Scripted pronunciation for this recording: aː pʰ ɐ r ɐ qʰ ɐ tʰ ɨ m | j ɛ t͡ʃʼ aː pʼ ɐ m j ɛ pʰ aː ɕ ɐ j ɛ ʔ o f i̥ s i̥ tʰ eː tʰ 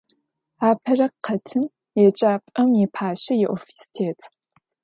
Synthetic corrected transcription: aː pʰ ɐ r ɐ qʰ ɐ tʰ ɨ m | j ɛ t͡ʃʼ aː pʼ ɐ m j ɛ pʰ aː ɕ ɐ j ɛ ʔ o f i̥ s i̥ tʰ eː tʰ

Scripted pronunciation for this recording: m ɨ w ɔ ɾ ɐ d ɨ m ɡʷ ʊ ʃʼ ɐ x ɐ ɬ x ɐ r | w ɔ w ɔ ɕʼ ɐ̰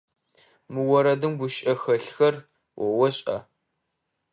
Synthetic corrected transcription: m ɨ w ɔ ɾ ɐ d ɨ m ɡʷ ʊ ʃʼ ɐ x ɐ ɬ x ɐ r | w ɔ w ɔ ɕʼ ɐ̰

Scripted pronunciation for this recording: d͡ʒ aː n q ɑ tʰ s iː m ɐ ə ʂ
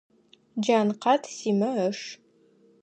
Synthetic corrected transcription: d͡ʒ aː n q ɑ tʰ s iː m ɐ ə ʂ

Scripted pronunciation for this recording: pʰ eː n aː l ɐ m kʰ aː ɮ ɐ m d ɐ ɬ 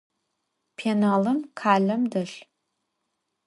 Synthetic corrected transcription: pʰ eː n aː l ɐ m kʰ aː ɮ ɐ m d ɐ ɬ

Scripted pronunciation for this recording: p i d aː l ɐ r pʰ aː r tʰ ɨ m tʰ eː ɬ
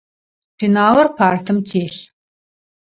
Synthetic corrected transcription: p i n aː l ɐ r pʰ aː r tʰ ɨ m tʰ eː ɬ

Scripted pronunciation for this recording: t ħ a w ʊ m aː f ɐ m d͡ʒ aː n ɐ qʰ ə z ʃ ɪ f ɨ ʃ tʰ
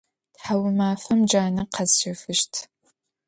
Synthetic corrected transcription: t ħ a w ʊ m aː f ɐ m d͡ʒ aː n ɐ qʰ ɐ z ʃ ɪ f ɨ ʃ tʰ

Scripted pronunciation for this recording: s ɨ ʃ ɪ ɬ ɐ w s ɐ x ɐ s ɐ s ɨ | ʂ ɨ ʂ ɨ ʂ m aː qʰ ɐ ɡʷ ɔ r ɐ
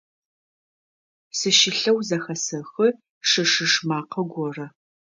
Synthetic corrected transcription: s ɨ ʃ ɪ ɬ ɐ w z ɐ x ɐ s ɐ x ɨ | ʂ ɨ ʂ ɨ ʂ m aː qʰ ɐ ɡʷ ɔ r ɐ

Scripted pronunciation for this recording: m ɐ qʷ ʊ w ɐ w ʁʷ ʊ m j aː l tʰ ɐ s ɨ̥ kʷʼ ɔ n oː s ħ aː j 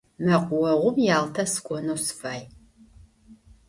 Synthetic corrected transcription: m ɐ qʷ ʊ w ɐ ʁʷ ʊ m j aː l tʰ ɐ s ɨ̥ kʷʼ ɔ n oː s f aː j

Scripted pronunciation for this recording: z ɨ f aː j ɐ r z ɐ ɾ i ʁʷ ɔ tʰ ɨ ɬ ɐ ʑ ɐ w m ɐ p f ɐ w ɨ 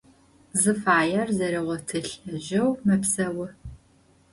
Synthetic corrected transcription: z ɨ f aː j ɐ r z ɐ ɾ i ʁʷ ɔ tʰ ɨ ɬ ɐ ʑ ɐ w m ɐ p s ɐ w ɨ

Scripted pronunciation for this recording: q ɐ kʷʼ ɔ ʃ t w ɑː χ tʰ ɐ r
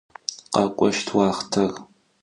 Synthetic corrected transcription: q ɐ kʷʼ ɔ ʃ tʰ w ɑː χ tʰ ɐ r

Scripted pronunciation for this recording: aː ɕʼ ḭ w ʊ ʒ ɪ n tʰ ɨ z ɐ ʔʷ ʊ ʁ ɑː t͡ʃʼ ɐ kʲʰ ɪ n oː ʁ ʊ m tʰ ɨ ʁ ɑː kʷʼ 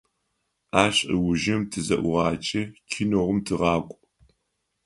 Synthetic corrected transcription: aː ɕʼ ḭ w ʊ ʒ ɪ m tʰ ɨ z ɐ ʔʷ ʊ ʁ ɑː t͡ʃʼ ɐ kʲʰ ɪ n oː ʁ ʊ m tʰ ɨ ʁ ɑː kʷʼ

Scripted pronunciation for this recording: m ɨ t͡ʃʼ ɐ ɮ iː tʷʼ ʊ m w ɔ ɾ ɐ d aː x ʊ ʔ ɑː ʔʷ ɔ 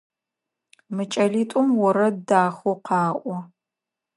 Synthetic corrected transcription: m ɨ t͡ʃʼ ɐ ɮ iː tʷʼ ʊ m w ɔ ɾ ɐ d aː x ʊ q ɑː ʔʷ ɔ

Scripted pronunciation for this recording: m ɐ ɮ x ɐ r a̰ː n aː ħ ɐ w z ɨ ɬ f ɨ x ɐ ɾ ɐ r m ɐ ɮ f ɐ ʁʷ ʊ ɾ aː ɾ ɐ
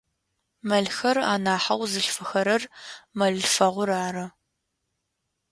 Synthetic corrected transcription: m ɐ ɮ x ɐ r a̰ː n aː ħ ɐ w z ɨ ɬ f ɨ x ɐ ɾ ɐ r m ɐ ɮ f ɐ ʁʷ ʊ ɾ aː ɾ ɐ

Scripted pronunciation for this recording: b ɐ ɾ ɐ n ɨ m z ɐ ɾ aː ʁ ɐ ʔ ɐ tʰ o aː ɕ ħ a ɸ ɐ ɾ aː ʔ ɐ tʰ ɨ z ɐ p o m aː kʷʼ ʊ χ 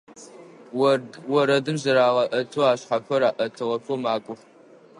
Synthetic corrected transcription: w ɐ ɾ ɐ d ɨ m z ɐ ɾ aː ʁ ɐ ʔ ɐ tʰ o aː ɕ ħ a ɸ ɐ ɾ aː ʔ ɐ tʰ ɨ ʁ ɐ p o m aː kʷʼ ʊ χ

